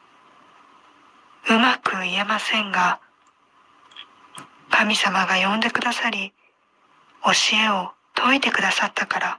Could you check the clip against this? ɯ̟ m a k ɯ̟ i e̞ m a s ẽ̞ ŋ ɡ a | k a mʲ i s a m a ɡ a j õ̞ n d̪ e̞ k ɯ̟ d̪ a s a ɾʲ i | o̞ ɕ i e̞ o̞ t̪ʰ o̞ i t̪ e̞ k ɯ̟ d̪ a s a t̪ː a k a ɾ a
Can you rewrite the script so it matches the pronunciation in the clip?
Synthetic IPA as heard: ɯ̟ m a k ɯ̟ i e̞ m a s ẽ̞ ŋ ɡ a | k a mʲ i s a m a ɡ a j õ̞ n d̪ e̞ k ɯ̟ d̪ a s a ɾʲ i | o̞ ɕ i e̞ o̞ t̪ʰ o̞ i t̪ e̞ k ɯ̟ d̪ a s a t̪ː a k a ɾ a